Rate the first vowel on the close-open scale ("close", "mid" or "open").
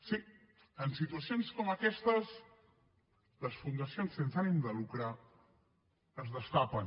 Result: close